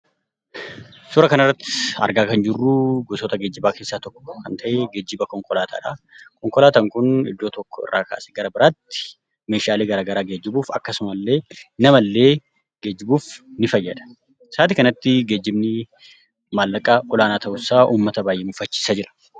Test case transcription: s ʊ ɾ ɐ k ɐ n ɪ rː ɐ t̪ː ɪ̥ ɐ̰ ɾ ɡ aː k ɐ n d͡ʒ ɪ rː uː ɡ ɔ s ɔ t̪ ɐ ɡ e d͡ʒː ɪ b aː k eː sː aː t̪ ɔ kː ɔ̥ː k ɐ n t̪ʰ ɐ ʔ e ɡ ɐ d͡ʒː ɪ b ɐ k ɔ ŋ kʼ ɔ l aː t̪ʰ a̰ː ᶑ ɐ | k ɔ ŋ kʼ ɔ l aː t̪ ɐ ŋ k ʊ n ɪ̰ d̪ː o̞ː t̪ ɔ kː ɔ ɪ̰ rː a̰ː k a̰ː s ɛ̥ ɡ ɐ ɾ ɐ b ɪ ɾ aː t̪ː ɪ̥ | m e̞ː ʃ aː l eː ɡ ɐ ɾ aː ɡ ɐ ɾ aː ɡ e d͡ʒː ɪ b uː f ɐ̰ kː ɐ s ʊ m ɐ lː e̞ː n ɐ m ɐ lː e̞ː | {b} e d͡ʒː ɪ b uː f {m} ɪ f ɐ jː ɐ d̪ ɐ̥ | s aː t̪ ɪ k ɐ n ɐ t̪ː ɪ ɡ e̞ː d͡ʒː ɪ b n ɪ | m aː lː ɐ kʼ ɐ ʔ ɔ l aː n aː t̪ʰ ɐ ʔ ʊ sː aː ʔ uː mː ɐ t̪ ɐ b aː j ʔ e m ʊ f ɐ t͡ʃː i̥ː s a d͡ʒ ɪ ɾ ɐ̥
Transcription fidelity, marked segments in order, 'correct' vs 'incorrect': incorrect: ɡ, incorrect: n

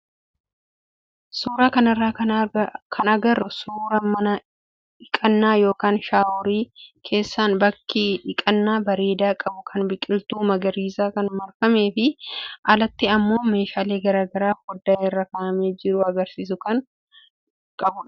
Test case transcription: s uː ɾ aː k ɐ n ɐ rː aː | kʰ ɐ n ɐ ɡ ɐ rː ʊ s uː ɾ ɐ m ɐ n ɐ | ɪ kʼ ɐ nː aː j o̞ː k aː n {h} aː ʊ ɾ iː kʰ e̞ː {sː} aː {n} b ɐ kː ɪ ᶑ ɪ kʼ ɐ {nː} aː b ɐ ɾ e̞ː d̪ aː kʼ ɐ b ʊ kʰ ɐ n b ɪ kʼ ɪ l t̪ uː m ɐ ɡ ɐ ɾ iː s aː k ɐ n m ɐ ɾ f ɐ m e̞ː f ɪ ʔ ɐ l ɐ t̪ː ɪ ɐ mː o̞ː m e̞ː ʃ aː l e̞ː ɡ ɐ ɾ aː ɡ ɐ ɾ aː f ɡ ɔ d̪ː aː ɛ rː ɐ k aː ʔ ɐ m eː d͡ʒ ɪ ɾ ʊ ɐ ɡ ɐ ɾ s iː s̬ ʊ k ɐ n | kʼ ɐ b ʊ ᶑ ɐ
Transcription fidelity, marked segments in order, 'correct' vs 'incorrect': incorrect: ʃ, correct, correct, correct

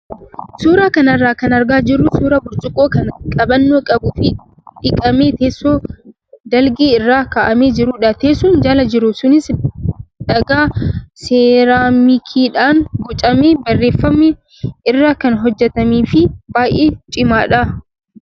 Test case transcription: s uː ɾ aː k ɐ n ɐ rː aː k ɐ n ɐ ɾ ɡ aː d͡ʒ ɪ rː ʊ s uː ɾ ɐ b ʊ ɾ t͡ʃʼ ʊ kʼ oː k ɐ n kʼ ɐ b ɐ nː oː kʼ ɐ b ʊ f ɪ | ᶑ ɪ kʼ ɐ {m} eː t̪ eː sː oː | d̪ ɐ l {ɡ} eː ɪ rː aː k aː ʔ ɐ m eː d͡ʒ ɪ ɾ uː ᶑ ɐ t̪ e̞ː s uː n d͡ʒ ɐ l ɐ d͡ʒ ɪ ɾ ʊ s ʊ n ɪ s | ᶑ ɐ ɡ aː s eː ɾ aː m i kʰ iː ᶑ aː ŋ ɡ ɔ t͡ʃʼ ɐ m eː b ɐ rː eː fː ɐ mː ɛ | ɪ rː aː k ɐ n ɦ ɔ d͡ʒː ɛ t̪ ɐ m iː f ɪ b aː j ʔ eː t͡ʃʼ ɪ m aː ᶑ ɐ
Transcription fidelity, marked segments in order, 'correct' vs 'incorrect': correct, correct

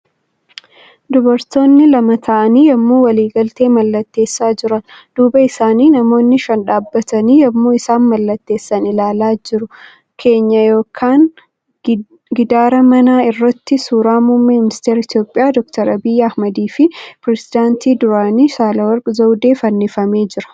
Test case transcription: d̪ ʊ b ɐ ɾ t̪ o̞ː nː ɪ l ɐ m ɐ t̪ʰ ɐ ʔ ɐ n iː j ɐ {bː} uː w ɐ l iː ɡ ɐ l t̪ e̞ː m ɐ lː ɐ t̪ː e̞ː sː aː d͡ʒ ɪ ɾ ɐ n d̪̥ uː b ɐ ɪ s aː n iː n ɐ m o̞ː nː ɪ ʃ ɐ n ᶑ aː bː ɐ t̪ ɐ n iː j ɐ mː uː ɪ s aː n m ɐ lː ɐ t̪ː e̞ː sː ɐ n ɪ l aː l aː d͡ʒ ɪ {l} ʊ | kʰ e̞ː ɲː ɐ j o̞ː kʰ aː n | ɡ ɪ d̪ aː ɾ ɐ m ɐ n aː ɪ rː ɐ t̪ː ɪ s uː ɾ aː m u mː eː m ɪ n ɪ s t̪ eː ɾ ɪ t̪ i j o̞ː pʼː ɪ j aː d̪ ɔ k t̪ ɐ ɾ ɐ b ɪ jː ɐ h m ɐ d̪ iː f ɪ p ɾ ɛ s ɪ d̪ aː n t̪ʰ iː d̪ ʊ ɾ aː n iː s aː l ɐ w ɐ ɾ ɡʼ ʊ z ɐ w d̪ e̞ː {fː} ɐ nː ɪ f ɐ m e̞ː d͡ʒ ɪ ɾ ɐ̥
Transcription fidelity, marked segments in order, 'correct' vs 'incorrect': incorrect: mː, incorrect: ɾ, incorrect: f

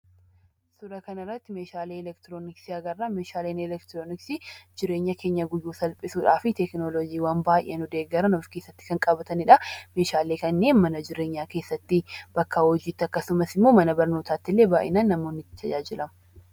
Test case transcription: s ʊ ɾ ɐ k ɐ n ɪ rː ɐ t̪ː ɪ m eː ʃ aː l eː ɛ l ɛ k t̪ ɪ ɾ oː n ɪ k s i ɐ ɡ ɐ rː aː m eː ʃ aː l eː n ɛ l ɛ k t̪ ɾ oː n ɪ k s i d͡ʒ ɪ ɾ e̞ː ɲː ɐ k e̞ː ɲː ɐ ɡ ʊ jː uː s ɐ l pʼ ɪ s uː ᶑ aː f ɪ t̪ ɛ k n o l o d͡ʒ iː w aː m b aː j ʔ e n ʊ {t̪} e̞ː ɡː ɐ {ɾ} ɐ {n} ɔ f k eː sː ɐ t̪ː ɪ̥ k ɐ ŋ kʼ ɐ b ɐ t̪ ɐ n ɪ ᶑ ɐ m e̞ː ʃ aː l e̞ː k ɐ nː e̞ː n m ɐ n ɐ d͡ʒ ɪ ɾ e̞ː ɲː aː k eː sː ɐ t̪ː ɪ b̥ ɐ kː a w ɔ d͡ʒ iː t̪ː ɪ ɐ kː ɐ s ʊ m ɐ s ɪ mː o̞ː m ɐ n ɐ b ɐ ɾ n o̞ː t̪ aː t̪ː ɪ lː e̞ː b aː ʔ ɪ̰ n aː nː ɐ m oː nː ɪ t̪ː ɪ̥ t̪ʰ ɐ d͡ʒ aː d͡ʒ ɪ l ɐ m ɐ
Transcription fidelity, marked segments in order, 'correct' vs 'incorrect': incorrect: d̪, correct, correct

